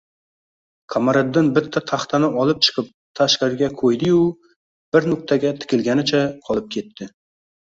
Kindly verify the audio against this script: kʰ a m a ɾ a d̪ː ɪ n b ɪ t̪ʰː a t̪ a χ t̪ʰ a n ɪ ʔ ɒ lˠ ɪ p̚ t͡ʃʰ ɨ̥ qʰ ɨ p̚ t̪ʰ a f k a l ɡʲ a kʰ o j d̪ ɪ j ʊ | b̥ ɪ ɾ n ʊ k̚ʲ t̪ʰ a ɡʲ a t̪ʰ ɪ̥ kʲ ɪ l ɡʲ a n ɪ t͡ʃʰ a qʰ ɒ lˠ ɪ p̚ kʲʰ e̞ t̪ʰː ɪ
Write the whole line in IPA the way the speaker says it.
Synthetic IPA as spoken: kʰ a m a ɾ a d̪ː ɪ n b ɪ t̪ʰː a t̪ʰ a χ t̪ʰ a n ɪ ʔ ɒ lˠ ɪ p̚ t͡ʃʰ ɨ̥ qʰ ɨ p̚ t̪ʰ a ʃ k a ɾ ɡʲ a kʰ o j d̪ ɪ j ʊ | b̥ ɪ ɾ n ʊ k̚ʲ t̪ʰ a ɡʲ a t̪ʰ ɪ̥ kʲ ɪ l ɡʲ a n ɪ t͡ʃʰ a qʰ ɒ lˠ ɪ p̚ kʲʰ e̞ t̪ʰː ɪ